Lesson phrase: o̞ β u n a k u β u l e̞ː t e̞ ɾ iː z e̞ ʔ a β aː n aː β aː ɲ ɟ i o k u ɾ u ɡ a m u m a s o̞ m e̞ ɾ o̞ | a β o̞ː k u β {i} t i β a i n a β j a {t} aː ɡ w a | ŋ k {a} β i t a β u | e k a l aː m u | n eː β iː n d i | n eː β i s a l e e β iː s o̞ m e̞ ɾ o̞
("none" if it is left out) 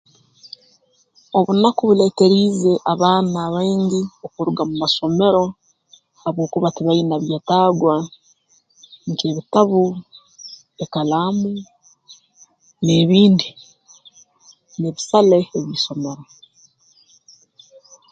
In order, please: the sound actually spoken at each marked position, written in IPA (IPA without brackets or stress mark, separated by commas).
a, t, e